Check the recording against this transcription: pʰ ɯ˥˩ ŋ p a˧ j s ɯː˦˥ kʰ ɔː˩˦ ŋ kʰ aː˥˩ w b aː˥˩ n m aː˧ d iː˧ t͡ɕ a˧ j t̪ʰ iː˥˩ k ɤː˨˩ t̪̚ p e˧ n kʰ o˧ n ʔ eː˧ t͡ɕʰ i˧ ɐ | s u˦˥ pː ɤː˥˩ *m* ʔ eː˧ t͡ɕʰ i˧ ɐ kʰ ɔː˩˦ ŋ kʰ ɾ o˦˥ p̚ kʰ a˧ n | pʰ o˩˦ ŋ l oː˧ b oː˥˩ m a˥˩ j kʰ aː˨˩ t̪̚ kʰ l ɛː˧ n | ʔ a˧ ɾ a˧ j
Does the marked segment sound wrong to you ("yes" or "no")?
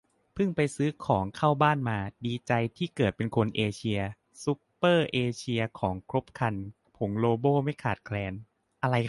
yes